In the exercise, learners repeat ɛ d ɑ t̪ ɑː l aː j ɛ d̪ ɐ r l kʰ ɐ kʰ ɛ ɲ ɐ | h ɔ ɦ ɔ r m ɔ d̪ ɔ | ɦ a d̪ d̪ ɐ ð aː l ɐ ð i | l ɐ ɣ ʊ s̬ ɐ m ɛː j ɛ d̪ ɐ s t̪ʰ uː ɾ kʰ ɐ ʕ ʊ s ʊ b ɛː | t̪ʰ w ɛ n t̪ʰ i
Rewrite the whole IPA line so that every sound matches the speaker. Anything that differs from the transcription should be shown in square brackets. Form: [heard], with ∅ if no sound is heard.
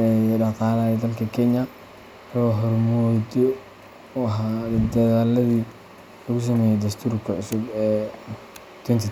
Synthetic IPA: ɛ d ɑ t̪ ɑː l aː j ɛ d̪ ɐ [∅] l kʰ ɐ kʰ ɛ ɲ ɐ | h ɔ ɦ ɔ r m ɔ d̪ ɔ | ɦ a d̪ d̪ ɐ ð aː l ɐ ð i | l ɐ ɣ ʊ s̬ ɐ m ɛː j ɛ d̪ ɐ s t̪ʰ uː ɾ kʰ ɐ ʕ ʊ s ʊ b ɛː | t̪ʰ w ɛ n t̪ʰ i

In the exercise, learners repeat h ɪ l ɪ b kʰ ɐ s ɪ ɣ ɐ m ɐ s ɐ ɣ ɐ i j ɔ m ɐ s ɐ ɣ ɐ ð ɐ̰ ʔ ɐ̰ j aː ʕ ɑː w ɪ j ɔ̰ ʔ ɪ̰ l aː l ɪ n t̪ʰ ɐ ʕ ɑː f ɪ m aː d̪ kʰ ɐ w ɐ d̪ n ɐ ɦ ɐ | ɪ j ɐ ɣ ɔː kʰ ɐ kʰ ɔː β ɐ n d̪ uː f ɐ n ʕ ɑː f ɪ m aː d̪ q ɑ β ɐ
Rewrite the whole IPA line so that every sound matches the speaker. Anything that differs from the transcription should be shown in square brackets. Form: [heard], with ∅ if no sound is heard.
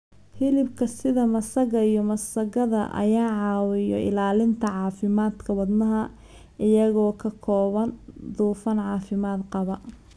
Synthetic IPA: h ɪ l ɪ b kʰ ɐ s ɪ [ð] ɐ m ɐ s ɐ ɣ ɐ i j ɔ m ɐ s ɐ ɣ ɐ ð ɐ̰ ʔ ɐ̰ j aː ʕ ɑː w ɪ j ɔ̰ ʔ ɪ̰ l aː l ɪ n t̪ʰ ɐ ʕ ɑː f ɪ m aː d̪ kʰ ɐ w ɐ d̪ n ɐ ɦ ɐ | ɪ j ɐ ɣ ɔː kʰ ɐ kʰ ɔː β ɐ n d̪ uː f ɐ n ʕ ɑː f ɪ m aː d̪ q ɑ β ɐ

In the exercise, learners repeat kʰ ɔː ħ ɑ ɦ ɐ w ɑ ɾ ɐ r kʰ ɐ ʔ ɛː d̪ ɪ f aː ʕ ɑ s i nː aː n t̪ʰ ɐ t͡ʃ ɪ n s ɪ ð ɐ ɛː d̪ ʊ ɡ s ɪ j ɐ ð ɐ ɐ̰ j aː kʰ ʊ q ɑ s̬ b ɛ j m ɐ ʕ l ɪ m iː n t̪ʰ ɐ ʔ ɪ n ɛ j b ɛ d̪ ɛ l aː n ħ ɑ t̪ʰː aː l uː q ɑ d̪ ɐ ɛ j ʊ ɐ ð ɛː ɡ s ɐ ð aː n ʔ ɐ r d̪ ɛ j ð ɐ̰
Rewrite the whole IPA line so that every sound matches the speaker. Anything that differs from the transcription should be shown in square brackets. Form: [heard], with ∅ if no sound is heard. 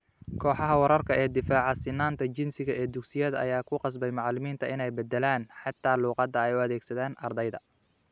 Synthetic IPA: kʰ ɔː ħ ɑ ɦ ɐ w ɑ ɾ ɐ r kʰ ɐ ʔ ɛː d̪ ɪ f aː ʕ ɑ s [ɪ] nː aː n t̪ʰ ɐ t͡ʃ ɪ n s ɪ [ɣ] ɐ ɛː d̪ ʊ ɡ s ɪ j ɐ ð ɐ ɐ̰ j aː kʰ ʊ q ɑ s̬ b ɛ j m [ɑ] ʕ l ɪ m iː n t̪ʰ ɐ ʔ ɪ n ɛ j b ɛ d̪ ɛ l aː n ħ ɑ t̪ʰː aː l uː q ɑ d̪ ɐ ɛ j ʊ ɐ ð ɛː ɡ s ɐ ð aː n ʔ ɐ r d̪ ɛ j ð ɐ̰

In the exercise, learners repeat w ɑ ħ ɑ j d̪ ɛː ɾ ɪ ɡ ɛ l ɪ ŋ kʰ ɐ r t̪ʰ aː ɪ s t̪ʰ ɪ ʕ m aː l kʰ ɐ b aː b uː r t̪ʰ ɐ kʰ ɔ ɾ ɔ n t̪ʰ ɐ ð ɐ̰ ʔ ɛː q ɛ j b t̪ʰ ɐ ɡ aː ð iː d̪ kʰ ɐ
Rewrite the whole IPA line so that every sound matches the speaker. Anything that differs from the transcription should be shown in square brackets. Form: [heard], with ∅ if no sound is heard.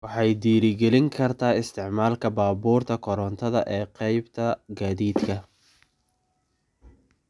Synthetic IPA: w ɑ ħ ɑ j d̪ [iː] ɾ ɪ ɡ ɛ l ɪ ŋ kʰ ɐ r t̪ʰ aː ɪ s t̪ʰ ɪ ʕ m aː l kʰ ɐ b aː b uː r t̪ʰ ɐ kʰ ɔ ɾ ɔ n t̪ʰ ɐ ð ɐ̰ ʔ ɛː q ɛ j b t̪ʰ ɐ ɡ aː ð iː d̪ kʰ ɐ

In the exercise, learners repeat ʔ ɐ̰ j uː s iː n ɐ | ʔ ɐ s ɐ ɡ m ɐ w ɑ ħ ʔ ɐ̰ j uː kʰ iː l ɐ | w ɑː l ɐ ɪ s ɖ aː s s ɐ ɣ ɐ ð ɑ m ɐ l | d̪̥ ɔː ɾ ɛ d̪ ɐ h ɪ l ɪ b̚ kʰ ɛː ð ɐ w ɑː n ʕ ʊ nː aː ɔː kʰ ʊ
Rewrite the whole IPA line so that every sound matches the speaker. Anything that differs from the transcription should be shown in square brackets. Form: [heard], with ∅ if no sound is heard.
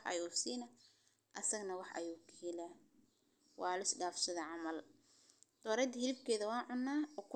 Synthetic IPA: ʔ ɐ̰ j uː s iː n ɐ | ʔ ɐ s ɐ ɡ [n] ɐ w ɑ ħ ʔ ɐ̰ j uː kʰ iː l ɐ | w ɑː l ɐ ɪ s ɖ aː [f] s ɐ [ð] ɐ [ʕ] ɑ m ɐ l | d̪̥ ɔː ɾ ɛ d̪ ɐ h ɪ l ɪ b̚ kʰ ɛː ð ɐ w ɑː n ʕ ʊ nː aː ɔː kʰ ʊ

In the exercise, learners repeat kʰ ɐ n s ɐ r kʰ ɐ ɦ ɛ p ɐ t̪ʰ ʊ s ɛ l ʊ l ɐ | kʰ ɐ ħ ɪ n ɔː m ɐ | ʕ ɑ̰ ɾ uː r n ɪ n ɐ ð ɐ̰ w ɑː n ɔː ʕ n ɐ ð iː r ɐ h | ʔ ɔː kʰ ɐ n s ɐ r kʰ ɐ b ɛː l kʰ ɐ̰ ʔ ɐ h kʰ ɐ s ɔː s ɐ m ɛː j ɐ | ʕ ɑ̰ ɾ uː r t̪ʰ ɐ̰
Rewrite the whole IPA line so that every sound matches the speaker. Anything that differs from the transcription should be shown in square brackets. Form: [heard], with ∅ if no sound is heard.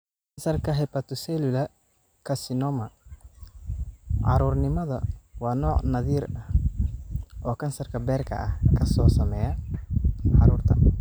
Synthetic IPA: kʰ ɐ n s ɐ r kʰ ɐ ɦ ɛ p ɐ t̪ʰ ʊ s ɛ l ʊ l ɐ | kʰ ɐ [s] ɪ n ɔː m ɐ | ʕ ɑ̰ ɾ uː r n ɪ [m] ɐ ð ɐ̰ w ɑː n ɔː ʕ n ɐ ð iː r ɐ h | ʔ ɔː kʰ ɐ n s ɐ r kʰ ɐ b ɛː [r] kʰ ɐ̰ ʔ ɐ h kʰ ɐ s ɔː s ɐ m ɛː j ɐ | ʕ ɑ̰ ɾ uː r t̪ʰ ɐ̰

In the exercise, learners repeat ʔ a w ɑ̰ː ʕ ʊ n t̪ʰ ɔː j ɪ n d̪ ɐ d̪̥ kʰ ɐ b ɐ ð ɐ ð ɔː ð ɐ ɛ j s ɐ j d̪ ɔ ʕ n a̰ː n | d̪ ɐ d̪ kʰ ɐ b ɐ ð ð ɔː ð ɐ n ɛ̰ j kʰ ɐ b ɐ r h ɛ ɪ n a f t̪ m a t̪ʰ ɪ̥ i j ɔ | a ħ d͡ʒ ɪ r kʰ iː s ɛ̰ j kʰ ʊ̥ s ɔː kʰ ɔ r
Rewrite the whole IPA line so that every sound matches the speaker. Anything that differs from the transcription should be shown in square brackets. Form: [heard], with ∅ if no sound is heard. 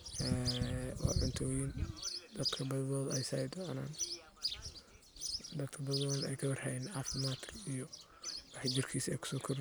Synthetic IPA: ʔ [ɛ] w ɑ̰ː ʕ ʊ n t̪ʰ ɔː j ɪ n d̪ ɐ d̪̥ kʰ ɐ b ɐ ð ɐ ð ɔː ð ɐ ɛ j s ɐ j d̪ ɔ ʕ n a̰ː n | d̪ ɐ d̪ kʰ ɐ b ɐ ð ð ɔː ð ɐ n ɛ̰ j kʰ ɐ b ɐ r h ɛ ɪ n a f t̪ m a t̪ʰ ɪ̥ i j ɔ | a ħ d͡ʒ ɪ r kʰ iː s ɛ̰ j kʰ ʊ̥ s ɔː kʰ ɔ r

